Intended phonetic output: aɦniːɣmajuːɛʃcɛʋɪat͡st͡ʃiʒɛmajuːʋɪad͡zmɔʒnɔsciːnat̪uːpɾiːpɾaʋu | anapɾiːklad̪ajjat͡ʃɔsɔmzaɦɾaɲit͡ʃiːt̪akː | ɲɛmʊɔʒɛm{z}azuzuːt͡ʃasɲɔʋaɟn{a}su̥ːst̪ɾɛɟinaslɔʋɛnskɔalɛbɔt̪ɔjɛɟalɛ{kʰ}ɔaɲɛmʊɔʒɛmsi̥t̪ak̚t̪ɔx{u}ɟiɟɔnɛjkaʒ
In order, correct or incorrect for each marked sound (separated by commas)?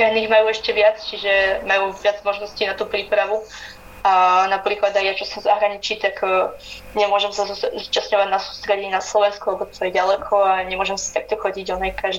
incorrect, correct, correct, incorrect